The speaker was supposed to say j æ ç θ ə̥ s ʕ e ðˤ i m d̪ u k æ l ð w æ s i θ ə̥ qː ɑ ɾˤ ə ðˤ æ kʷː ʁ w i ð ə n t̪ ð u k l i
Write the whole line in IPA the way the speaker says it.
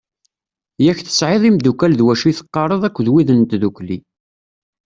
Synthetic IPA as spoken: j æ ç θ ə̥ s ʕ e ðˤ i m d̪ u k æ l ð w æ ʃ i θ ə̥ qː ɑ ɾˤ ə ðˤ æ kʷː ð w i ð ə n t̪ ð u k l i